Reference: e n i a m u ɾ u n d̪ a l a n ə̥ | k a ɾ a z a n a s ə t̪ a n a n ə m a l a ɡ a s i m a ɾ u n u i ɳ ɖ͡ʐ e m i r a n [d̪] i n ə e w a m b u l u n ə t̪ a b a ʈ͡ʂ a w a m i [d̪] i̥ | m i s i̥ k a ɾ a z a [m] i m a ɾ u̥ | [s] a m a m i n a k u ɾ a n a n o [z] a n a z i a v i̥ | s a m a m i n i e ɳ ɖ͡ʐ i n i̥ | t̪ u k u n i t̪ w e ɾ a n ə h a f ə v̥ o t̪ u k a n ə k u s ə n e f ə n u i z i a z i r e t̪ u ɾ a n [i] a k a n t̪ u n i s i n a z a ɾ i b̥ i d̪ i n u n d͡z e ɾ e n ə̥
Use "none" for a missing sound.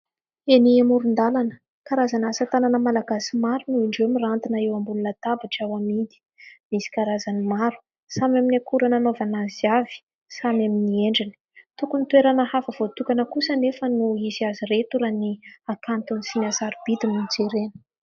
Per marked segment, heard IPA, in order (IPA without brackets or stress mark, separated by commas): t̪, d̪, n, s, v, i